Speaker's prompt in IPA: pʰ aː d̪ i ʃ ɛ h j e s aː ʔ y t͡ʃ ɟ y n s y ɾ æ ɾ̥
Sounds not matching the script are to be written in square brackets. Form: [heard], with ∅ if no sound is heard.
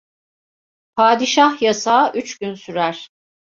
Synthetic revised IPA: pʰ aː d̪ i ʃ [a] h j [a] s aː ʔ y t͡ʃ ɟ y n s y ɾ æ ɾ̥

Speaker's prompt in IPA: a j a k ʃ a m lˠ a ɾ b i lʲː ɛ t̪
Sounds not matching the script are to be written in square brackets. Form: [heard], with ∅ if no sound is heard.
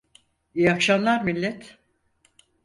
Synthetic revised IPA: [i] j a k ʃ a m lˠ a ɾ [m] i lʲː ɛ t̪

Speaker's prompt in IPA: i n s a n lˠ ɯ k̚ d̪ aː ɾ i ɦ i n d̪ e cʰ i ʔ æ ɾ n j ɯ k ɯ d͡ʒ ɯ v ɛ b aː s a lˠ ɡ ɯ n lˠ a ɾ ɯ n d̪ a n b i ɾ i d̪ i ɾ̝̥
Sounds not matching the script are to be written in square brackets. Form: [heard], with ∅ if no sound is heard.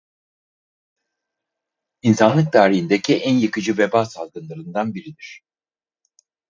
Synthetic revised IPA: i n s a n lˠ ɯ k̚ d̪ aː ɾ i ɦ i n d̪ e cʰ i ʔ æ [∅] n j ɯ k ɯ d͡ʒ ɯ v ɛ b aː s a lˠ ɡ ɯ n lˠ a ɾ ɯ n d̪ a n b i ɾ i d̪ i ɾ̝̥

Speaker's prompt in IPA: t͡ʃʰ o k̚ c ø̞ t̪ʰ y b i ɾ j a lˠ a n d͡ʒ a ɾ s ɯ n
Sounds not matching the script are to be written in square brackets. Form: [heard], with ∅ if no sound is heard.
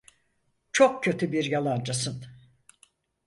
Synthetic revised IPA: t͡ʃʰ o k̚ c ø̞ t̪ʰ y b i ɾ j a lˠ a n d͡ʒ a [∅] s ɯ n

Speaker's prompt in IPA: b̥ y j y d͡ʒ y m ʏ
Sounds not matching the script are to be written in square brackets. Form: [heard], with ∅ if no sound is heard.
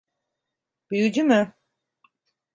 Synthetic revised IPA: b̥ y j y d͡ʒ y m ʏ

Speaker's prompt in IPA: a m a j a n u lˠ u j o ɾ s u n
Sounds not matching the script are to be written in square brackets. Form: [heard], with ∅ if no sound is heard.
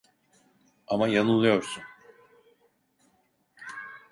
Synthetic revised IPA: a m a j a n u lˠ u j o ɾ s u n

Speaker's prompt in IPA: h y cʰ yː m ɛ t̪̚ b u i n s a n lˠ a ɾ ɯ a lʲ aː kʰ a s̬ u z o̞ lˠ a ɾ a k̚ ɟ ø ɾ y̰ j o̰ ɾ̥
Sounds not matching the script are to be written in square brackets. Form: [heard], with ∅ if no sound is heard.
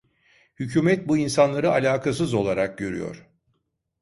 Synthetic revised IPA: h y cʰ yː m ɛ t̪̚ b u i n s a n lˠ a ɾ ɯ a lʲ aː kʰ a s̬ [ɯ] z o̞ lˠ a ɾ a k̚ ɟ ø ɾ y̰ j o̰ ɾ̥

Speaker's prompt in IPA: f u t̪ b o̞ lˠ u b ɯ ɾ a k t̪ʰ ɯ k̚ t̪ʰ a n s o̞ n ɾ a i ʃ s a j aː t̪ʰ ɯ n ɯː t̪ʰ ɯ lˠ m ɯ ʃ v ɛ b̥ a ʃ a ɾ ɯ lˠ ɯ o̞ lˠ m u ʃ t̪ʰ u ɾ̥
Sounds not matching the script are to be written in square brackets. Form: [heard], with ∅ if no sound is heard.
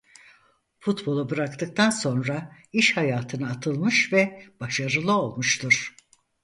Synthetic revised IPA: f u t̪ b o̞ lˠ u b ɯ ɾ a k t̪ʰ ɯ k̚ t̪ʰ a n s o̞ n ɾ a i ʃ [h] a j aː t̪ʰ ɯ n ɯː t̪ʰ ɯ lˠ m ɯ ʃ v ɛ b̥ a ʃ a ɾ ɯ lˠ ɯ o̞ lˠ m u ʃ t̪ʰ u ɾ̥

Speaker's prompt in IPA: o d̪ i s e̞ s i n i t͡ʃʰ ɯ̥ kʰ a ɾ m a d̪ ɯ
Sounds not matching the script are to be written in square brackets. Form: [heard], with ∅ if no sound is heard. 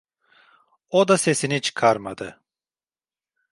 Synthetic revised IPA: o d̪ [a] s e̞ s i n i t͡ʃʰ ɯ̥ kʰ a ɾ m a d̪ ɯ

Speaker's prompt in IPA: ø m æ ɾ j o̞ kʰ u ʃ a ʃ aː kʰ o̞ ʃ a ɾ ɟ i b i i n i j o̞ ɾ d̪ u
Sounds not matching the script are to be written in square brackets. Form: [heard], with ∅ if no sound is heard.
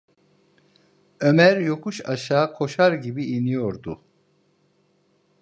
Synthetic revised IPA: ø m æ ɾ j o̞ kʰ u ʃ a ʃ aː kʰ o̞ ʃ a ɾ ɟ i b i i n i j o̞ ɾ d̪ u

